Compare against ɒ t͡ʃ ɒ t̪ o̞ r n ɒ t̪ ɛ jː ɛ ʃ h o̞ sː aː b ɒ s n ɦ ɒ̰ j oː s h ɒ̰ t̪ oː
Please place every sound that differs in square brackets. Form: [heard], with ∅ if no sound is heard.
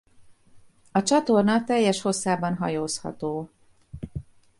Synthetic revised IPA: ɒ t͡ʃ ɒ t̪ o̞ r n ɒ t̪ ɛ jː ɛ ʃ h o̞ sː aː b ɒ [∅] n ɦ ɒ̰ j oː s h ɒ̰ t̪ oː